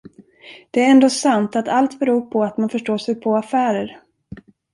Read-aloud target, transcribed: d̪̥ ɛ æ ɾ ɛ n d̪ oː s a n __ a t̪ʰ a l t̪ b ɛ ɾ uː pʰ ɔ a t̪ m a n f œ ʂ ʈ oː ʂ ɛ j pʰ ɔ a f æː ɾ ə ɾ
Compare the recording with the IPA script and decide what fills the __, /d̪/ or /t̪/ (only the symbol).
t̪